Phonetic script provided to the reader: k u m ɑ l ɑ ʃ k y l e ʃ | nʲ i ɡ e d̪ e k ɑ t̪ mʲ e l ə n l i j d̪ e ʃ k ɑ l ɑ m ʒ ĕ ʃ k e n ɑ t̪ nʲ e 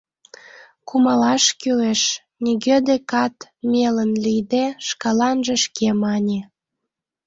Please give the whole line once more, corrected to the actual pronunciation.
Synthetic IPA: k u m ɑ l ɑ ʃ k y l e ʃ | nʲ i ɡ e d̪ e k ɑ t̪ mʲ e l ə n l i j d̪ e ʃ k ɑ l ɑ n ʒ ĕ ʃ k e m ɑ nʲ e